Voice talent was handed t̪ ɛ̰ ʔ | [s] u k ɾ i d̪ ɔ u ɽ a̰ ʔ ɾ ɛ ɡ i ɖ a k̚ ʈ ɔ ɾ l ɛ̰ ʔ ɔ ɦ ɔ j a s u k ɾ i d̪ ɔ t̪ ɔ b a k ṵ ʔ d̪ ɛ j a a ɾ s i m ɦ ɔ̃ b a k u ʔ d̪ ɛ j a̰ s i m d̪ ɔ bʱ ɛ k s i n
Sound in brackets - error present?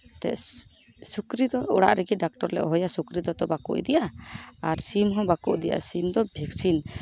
no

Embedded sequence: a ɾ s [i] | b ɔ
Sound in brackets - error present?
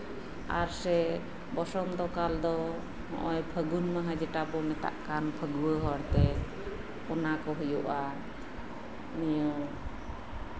yes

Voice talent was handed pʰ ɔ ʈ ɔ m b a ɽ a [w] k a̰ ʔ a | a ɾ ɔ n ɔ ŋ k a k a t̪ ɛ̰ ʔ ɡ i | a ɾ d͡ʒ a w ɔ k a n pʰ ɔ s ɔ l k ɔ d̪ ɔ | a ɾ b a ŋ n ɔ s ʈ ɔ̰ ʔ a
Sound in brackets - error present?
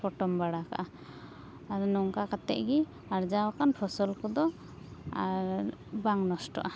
yes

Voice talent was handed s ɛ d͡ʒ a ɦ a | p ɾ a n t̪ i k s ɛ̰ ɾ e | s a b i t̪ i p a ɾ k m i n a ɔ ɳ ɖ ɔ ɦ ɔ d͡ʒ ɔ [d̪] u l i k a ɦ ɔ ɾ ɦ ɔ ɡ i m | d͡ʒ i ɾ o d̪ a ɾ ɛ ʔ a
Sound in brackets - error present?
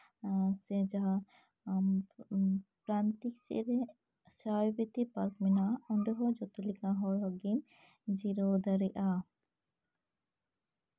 yes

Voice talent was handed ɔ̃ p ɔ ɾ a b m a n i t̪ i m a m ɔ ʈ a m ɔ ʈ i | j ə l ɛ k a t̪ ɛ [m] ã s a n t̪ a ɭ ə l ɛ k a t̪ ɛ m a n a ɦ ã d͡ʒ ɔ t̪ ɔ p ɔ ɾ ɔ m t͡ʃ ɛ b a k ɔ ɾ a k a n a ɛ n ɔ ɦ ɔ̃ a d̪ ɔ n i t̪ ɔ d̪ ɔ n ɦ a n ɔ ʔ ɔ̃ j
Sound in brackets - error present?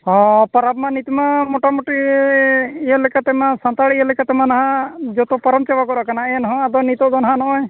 no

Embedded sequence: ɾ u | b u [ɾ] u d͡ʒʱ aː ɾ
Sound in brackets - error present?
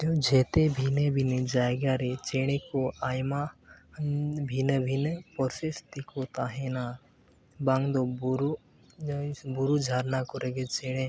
no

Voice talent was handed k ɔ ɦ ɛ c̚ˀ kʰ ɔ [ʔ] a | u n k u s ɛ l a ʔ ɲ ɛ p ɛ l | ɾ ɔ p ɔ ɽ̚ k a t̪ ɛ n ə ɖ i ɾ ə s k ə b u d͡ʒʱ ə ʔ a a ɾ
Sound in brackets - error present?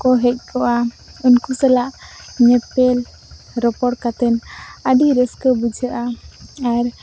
no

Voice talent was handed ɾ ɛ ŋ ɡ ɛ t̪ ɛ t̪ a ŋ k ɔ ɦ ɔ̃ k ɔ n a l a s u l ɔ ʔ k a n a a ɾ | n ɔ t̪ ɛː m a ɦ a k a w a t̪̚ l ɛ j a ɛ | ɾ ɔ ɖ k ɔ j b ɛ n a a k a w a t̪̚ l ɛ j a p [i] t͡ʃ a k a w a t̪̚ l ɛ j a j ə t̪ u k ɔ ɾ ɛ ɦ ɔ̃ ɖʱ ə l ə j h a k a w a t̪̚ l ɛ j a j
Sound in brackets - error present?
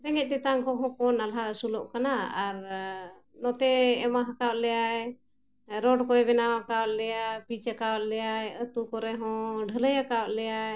no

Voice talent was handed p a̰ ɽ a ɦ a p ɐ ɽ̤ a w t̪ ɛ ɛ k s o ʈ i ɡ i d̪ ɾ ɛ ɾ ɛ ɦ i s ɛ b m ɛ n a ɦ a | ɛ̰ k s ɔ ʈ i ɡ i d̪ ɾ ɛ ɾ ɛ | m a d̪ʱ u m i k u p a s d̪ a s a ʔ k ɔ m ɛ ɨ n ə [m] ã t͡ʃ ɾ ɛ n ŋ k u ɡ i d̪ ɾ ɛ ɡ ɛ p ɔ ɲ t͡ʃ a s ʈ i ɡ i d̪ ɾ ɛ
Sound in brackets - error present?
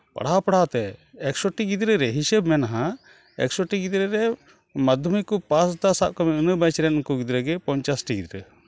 yes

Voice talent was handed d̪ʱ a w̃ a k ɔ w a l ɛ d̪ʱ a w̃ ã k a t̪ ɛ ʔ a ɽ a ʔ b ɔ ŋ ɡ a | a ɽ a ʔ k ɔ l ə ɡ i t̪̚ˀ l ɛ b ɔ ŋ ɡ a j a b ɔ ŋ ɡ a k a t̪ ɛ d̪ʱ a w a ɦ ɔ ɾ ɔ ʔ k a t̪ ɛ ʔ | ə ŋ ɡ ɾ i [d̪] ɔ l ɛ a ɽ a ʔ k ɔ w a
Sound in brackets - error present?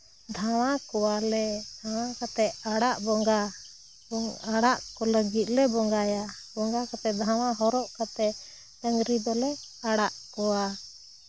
no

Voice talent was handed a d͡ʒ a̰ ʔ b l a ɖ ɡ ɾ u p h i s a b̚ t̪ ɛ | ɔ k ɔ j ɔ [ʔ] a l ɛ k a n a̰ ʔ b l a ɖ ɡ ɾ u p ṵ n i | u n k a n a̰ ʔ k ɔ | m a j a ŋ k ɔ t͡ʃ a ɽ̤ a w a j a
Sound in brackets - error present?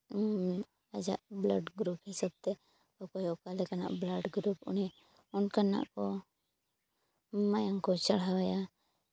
yes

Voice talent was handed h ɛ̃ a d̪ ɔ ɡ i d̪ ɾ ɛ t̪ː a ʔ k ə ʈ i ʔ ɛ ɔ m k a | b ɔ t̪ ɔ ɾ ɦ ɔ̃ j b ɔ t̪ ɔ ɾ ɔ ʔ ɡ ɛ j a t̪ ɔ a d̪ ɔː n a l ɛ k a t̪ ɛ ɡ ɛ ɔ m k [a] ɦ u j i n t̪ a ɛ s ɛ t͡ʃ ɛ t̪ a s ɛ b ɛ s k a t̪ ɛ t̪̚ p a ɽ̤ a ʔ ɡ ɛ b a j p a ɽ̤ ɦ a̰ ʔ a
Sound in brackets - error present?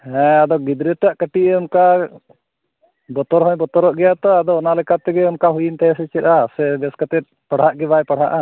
no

